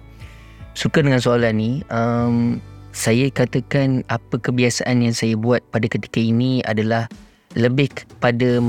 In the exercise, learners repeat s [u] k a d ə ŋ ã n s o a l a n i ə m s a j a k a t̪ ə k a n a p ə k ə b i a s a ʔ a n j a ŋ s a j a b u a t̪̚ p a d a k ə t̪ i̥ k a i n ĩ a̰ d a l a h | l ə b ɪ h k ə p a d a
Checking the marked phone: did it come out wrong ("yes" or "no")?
no